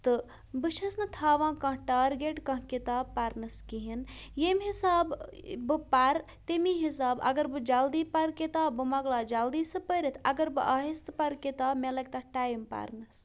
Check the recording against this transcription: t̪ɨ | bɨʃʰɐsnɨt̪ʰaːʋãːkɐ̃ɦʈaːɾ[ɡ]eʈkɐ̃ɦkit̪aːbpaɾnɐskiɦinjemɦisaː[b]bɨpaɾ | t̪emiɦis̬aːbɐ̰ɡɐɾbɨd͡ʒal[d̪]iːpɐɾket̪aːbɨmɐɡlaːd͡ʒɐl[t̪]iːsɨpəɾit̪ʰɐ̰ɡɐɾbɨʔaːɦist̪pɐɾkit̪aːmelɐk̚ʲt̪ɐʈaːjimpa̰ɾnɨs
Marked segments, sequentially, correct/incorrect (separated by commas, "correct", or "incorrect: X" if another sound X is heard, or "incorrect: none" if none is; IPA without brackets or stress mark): correct, correct, correct, incorrect: d̪